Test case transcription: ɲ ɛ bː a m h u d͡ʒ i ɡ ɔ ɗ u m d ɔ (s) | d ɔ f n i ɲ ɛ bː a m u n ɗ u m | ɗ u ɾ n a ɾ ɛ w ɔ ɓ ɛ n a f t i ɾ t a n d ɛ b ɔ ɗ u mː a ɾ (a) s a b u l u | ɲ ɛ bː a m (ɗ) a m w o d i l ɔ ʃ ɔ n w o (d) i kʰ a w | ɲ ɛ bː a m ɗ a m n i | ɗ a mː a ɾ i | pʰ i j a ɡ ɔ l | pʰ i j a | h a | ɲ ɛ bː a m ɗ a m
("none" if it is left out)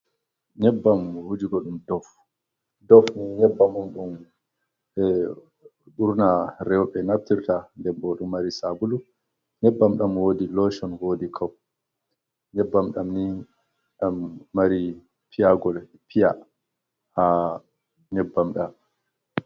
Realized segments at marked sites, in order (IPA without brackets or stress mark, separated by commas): f, i, ɗ, d